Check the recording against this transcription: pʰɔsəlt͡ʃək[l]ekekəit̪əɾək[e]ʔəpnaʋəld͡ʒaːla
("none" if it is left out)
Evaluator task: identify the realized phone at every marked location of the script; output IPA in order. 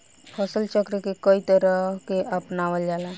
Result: ɾ, e

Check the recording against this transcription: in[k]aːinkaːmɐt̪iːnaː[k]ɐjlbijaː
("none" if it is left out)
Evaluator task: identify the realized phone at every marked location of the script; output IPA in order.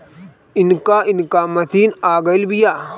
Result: k, ɡ

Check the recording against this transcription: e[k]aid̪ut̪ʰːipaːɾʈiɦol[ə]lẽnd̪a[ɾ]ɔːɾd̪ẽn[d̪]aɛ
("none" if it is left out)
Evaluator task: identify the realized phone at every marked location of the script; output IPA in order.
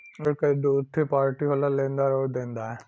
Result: k, a, ɾ, d̪

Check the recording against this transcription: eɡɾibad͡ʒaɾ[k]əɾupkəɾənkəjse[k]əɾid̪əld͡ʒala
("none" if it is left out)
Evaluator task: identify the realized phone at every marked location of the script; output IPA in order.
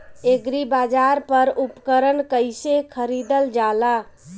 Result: p, kʰ

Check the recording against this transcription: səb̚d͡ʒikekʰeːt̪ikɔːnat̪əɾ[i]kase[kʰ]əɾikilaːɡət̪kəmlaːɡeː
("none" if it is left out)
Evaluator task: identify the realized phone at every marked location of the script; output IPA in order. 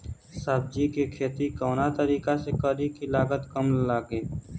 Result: iː, k

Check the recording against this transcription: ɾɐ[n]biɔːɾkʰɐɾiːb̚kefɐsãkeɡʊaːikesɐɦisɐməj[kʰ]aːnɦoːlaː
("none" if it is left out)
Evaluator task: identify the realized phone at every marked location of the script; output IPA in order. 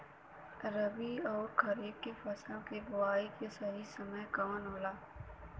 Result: none, k

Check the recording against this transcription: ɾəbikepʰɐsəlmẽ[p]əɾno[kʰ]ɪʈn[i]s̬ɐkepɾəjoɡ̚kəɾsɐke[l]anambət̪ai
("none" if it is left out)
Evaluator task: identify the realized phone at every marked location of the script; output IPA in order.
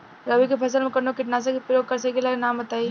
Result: k, k, a, l

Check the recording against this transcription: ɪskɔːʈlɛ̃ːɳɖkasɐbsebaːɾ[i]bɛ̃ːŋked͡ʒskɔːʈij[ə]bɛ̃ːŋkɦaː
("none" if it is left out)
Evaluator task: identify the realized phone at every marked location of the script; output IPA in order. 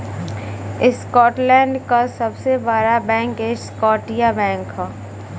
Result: a, a

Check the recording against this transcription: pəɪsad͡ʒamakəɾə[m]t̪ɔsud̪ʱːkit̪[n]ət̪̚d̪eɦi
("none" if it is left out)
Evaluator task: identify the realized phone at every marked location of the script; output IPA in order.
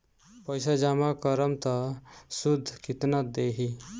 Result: m, n

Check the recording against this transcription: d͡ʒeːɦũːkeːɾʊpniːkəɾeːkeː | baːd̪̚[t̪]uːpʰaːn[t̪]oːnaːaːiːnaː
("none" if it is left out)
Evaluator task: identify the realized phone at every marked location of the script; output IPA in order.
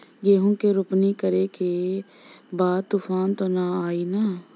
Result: t̪, t̪

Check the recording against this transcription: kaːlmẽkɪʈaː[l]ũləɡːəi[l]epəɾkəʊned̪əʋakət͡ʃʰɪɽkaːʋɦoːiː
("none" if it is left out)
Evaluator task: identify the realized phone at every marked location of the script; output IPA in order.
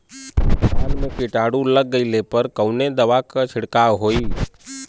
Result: ɽ, l

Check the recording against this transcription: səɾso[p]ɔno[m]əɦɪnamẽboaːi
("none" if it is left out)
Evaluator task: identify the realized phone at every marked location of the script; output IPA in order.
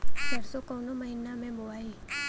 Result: k, m

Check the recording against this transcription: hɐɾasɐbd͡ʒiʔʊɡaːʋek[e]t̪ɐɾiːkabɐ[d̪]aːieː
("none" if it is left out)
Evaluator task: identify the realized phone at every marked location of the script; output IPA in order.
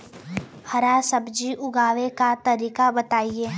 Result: a, t̪

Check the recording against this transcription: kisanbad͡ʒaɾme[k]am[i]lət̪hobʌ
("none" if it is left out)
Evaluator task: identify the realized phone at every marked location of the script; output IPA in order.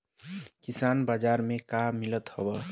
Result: k, i

